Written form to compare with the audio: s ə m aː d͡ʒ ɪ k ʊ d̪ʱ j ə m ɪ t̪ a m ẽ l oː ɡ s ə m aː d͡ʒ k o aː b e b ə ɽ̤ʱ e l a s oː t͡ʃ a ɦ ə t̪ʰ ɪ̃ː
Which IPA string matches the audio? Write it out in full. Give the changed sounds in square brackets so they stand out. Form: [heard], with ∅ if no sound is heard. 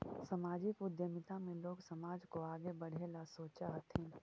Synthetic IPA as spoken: s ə m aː d͡ʒ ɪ k ʊ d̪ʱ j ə m ɪ t̪ a m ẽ l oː ɡ s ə m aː d͡ʒ k o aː [ɡ] e b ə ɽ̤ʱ e l a s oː t͡ʃ a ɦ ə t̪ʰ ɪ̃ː